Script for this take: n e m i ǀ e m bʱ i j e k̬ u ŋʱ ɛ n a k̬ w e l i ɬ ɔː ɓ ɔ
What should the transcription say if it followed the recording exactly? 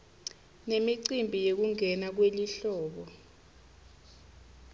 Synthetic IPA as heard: n e m i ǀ i m bʱ i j e k̬ u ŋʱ ɛ n a k̬ w e l i ɬ ɔː ɓ ɔ